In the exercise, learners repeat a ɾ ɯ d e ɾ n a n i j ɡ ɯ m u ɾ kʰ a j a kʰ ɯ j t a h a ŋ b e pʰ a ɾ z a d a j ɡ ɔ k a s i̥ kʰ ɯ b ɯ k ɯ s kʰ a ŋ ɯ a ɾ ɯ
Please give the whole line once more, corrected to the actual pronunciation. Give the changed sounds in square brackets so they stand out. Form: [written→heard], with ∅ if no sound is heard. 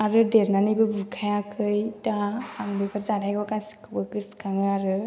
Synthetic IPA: a ɾ ɯ d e ɾ n a n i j [ɡ→b] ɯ [m→b] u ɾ kʰ a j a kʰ ɯ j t a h a ŋ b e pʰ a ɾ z a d a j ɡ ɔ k a s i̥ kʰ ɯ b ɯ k ɯ s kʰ a ŋ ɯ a ɾ ɯ

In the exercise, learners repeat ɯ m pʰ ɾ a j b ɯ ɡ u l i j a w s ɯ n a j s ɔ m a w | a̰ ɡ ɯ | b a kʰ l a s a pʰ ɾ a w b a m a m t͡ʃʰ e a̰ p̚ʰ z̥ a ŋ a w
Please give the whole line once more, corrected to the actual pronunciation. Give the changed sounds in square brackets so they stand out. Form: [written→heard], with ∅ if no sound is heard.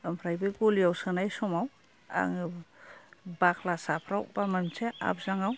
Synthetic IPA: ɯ m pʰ ɾ a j b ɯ ɡ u l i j a w s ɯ n a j s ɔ m a w | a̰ [ɡ→ŋ] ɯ | b a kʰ l a s a pʰ ɾ a w b a m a m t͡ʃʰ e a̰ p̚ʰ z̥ a ŋ a w

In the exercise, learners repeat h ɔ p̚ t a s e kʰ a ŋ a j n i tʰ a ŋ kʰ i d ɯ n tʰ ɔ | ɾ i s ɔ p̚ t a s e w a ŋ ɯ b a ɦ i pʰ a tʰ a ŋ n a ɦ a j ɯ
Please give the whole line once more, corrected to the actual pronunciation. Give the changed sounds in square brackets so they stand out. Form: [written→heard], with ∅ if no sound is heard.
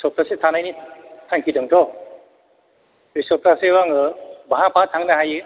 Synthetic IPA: [h→s] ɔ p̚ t a s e [kʰ→tʰ] a [ŋ→n] a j n i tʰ a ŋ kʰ i d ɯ [n→ŋ] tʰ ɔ | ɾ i s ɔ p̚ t a s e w a ŋ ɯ b a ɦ [i→a] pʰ a tʰ a ŋ n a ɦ a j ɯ

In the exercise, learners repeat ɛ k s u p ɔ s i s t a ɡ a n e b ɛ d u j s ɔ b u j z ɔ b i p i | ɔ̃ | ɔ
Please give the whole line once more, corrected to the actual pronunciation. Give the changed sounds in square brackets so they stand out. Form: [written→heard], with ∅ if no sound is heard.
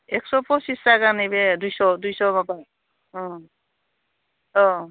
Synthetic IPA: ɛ k s [u→ɔ] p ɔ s i s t a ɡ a n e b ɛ d u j s ɔ [b→d] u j [z→s] ɔ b [i→a] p [i→a] | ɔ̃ | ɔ

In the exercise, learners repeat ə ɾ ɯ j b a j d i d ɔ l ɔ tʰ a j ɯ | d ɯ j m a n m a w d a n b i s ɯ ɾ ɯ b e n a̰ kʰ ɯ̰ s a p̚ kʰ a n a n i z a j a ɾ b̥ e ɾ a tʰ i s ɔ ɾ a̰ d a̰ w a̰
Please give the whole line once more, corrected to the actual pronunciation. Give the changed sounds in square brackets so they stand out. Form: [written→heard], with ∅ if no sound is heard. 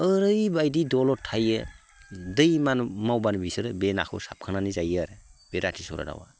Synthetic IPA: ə ɾ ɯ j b a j d i d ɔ l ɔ tʰ a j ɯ | d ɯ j m a n m a w [d→b] a n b i s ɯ ɾ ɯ b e n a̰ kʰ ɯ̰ s a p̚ kʰ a n a n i z a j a ɾ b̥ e ɾ a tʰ i s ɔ ɾ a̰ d a̰ w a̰

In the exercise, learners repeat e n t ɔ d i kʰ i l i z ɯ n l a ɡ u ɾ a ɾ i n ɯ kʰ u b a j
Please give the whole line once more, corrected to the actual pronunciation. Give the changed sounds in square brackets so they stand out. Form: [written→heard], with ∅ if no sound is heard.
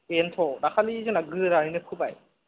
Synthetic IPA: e n [t→tʰ] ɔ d [i→a] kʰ [i→a] l i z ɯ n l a ɡ [u→ɯ] ɾ a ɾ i n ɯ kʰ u b a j

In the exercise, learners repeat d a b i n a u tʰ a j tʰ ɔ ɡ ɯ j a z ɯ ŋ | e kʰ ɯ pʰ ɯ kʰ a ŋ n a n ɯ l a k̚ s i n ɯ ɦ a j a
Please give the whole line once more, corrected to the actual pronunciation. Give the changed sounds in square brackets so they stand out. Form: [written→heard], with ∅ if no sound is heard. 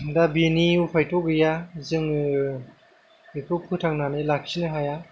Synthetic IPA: d a b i n [a→i] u [tʰ→pʰ] a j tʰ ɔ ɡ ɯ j a z ɯ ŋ | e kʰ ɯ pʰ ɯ [kʰ→tʰ] a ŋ n a n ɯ l a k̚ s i n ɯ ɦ a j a

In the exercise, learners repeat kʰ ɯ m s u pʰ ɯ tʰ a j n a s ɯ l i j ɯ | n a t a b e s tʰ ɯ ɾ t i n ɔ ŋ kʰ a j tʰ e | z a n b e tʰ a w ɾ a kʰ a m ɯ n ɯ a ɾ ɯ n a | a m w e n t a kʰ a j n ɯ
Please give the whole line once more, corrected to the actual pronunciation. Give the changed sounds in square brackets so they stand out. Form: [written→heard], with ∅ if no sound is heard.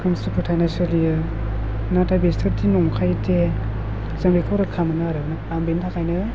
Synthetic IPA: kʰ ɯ m s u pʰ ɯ tʰ a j n a s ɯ l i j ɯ | n a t a b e s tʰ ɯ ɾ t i n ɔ ŋ kʰ a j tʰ e | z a [n→ŋ] b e [tʰ→kʰ] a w ɾ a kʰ a m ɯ n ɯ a ɾ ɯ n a | a m [w→b] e n [t→tʰ] a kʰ a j n ɯ

